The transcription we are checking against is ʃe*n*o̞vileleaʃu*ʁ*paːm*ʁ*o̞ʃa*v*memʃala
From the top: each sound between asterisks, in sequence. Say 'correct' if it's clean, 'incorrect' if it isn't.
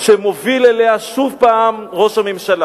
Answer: incorrect: m, incorrect: v, correct, incorrect: none

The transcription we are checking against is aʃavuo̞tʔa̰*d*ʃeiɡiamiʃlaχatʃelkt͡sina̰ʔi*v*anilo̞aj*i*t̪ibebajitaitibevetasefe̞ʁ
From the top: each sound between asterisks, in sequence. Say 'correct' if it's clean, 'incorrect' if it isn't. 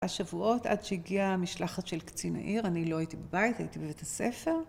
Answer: correct, incorrect: ʁ, correct

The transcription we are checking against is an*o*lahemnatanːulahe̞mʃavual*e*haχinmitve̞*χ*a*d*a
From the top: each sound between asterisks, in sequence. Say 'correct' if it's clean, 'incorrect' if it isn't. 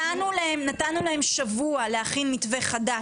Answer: incorrect: u, correct, correct, correct

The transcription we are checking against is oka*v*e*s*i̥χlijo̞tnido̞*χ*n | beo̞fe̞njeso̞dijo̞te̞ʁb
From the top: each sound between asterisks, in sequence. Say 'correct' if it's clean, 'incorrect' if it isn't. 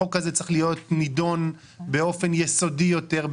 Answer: incorrect: z, incorrect: t͡s, incorrect: none

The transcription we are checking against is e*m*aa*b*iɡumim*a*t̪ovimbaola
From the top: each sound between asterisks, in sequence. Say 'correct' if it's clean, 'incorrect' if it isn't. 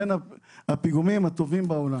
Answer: incorrect: n, incorrect: p, correct

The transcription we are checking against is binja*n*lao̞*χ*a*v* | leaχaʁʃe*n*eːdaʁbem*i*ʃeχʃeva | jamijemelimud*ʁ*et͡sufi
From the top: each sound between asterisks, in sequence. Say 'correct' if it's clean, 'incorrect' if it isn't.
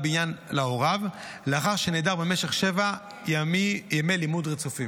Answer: correct, incorrect: ʁ, correct, correct, incorrect: e, correct

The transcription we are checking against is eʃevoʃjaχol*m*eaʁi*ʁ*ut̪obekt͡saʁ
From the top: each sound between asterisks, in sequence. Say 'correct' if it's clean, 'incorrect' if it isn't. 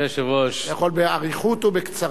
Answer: incorrect: b, incorrect: χ

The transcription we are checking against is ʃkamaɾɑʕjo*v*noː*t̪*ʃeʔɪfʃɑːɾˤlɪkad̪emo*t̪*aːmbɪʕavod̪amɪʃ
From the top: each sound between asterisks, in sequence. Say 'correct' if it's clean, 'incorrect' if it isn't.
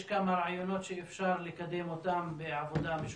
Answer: incorrect: none, correct, correct

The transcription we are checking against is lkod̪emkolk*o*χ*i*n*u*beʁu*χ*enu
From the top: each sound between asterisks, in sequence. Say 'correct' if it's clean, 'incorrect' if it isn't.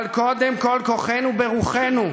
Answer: correct, incorrect: e, correct, correct

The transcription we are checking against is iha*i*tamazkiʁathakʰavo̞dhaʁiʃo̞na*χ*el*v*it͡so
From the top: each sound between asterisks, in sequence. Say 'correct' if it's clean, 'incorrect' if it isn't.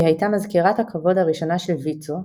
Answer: incorrect: j, incorrect: ʃ, correct

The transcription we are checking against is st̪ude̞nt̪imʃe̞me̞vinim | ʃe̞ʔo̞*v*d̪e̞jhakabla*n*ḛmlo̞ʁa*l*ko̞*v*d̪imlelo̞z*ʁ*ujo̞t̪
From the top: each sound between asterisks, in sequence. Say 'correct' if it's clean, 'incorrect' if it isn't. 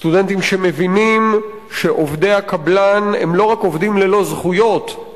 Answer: correct, correct, incorrect: none, correct, incorrect: χ

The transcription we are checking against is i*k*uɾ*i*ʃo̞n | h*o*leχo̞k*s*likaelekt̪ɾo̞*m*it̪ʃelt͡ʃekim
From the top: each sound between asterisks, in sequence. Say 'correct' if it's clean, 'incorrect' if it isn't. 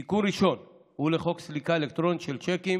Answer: correct, correct, incorrect: u, correct, incorrect: n

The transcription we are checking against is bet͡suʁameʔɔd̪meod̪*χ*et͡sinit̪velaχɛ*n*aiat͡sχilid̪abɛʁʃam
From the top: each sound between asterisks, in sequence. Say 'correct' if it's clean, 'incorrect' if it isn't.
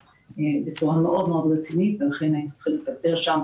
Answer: incorrect: ʁ, correct

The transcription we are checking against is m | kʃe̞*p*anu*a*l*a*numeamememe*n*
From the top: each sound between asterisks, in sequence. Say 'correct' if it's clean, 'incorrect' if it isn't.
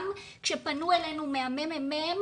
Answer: correct, incorrect: e, incorrect: e, incorrect: m

